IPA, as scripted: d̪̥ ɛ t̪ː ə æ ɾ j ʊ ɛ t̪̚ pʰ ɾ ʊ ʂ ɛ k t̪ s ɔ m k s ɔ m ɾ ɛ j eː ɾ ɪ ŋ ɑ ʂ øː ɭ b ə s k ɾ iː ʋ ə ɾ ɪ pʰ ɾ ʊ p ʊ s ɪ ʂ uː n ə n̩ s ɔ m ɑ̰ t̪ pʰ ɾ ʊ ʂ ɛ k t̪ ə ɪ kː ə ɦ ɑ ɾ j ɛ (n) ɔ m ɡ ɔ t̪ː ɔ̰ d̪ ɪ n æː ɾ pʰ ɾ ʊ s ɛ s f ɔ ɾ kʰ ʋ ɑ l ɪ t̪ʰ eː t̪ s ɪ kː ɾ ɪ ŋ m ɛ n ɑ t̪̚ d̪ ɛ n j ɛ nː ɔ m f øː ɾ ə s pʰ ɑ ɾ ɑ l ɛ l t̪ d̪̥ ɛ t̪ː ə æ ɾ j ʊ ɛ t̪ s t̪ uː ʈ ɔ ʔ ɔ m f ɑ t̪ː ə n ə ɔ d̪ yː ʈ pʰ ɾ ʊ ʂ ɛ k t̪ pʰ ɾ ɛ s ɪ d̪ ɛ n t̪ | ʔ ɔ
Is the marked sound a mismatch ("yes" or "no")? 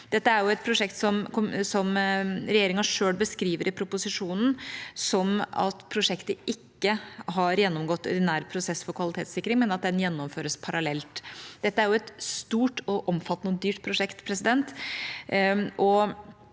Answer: yes